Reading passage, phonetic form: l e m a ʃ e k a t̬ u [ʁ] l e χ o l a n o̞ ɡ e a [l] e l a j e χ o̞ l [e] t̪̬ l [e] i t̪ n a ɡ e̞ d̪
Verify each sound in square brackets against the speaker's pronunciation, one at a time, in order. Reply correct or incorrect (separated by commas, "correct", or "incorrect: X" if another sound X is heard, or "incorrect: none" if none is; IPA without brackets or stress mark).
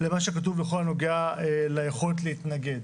incorrect: v, incorrect: none, correct, correct